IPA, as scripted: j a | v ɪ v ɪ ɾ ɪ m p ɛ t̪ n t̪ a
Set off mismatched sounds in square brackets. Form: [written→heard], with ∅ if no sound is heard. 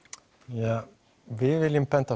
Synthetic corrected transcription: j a | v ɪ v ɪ [ɾ→l] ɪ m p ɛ [t̪→∅] n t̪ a